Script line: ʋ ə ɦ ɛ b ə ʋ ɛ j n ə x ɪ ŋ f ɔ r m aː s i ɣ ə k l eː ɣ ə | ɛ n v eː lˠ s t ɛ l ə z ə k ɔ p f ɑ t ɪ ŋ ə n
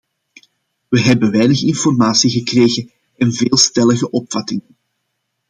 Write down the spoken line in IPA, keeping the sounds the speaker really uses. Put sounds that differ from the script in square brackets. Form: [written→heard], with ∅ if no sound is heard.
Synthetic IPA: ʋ ə ɦ ɛ b ə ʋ ɛ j n ə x ɪ [ŋ→n] f ɔ r m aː s i ɣ ə k [l→r] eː ɣ ə | ɛ n v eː lˠ s t ɛ l ə [z→ɣ] ə [k→ʔ] ɔ p f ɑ t ɪ ŋ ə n